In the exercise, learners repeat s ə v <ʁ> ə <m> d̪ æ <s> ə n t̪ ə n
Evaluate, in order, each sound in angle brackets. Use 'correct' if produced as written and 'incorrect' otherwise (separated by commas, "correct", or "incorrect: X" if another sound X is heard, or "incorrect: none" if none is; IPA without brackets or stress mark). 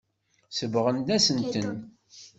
correct, incorrect: n, correct